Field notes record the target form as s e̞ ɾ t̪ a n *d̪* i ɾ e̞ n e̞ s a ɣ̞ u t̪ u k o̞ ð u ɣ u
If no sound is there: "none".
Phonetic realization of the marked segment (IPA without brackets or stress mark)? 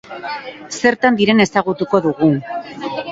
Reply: d̪